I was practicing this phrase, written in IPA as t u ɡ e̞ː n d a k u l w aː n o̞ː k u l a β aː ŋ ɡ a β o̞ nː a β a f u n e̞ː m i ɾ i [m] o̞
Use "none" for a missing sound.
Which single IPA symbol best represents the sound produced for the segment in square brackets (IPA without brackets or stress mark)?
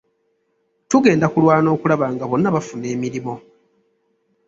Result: m